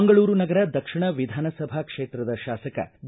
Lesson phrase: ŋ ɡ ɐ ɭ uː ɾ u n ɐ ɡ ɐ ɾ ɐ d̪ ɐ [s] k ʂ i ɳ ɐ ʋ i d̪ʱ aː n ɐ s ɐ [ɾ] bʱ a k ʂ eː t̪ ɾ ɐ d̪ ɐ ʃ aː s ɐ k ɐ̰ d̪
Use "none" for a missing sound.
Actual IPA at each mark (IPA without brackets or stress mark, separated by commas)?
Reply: none, none